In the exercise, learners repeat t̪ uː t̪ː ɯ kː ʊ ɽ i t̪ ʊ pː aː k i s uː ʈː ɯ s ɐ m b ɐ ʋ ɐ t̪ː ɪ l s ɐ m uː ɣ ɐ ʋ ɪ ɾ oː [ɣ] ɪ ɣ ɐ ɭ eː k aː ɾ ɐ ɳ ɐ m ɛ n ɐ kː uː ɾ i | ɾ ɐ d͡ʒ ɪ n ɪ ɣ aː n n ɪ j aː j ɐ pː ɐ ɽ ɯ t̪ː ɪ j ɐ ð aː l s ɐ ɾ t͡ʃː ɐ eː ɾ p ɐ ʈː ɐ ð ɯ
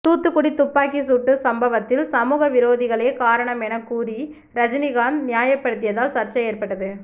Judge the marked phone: incorrect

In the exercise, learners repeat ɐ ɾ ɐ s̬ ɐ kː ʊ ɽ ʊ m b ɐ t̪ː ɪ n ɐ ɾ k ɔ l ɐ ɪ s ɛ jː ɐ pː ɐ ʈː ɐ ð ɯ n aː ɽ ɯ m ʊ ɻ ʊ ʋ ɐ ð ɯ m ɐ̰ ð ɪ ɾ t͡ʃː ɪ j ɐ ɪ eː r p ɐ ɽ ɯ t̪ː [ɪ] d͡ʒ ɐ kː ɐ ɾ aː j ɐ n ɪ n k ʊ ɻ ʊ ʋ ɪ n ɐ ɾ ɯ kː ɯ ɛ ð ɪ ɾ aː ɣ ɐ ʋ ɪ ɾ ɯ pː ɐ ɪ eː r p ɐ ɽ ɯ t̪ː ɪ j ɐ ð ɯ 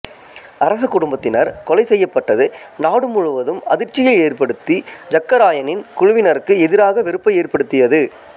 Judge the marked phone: incorrect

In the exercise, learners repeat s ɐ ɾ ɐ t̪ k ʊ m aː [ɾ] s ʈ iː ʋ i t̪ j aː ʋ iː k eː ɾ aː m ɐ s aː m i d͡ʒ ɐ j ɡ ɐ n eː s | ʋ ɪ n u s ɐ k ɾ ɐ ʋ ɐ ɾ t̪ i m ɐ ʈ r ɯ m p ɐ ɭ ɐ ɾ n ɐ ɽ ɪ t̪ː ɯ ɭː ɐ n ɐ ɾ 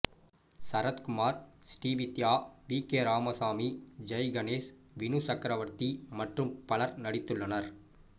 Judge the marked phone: correct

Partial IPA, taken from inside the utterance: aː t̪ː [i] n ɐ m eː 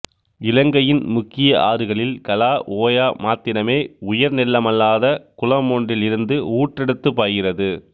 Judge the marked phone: incorrect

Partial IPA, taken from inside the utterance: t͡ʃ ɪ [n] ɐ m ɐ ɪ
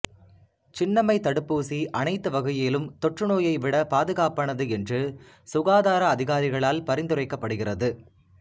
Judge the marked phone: incorrect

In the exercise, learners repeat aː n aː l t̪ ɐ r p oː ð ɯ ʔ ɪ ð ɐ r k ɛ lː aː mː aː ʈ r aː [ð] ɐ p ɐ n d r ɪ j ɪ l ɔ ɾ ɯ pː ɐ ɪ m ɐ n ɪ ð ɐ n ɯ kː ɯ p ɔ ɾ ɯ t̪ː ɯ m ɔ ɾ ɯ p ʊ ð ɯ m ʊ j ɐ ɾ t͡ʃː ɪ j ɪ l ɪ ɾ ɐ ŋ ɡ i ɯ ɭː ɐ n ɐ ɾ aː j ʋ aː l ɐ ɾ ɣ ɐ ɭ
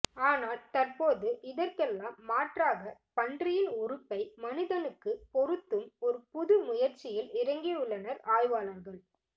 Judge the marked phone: incorrect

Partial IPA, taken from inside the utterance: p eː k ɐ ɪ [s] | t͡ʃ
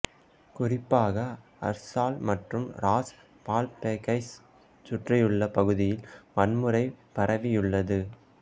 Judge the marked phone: correct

